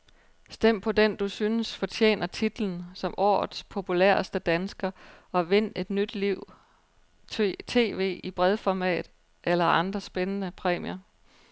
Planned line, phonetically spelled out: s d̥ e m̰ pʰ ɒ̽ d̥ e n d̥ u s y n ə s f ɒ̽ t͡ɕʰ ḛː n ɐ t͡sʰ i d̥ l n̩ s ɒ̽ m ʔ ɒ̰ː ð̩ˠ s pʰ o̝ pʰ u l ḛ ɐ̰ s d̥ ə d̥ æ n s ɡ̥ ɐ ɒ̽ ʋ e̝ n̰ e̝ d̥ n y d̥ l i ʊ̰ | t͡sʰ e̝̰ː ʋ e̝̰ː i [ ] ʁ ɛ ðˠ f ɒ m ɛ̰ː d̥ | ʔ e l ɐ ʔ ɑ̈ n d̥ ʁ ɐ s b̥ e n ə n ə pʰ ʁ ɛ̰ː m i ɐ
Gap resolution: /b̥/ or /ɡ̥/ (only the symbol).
b̥